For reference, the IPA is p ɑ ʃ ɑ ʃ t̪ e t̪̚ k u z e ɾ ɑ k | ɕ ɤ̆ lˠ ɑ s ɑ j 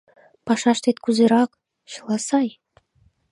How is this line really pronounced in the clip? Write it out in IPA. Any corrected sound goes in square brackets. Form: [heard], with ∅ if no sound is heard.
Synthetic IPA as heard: p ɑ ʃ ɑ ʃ t̪ e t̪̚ k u z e ɾ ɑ k | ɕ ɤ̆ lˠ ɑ s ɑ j

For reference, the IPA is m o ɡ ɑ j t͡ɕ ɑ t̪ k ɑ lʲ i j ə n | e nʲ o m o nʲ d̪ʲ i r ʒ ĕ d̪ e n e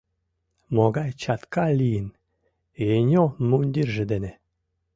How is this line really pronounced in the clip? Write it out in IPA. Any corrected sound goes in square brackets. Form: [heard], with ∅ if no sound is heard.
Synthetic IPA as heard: m o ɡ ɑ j t͡ɕ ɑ t̪ k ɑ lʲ i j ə n | e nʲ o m [u] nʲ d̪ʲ i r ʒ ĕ d̪ e n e

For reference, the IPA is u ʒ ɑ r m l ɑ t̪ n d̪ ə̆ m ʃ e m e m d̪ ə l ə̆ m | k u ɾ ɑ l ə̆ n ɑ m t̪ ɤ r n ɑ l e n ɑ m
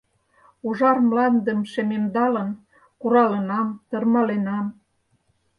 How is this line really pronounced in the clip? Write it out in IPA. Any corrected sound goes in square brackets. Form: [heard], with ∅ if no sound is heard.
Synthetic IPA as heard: u ʒ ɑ r m l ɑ [∅] n d̪ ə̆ m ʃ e m e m d̪ [ɑ] l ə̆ [n] | k u ɾ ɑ l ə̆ n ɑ m t̪ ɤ r [m] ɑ l e n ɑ m

